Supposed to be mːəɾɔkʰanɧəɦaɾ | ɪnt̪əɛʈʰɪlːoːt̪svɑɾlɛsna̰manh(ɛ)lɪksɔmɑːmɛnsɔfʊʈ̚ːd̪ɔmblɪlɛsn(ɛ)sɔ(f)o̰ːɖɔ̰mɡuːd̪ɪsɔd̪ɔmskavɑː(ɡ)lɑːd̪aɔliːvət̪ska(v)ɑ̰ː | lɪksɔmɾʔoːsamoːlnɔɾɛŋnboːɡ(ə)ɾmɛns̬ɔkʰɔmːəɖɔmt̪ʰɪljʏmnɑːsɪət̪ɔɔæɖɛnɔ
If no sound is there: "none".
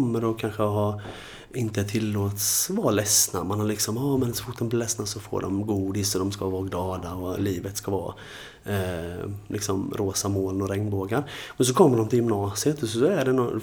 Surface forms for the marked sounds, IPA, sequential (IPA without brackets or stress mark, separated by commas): a, a, f, ɡ, v, a